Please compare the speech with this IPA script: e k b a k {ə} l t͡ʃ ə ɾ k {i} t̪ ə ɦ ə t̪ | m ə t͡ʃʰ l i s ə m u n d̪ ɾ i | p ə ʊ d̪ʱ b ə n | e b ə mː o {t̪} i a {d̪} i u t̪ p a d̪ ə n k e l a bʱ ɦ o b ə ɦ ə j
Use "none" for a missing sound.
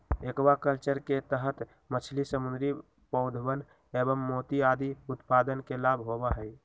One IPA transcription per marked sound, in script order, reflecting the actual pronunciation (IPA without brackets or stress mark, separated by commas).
ə, e, t̪, d̪